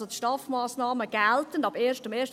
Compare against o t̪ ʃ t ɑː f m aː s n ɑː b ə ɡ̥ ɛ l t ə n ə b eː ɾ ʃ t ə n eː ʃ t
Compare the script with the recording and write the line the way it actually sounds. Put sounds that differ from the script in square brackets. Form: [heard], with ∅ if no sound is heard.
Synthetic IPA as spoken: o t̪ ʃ t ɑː f m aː s n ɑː [m] ə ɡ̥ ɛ l t ə n [ɑ] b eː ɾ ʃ t ə [m] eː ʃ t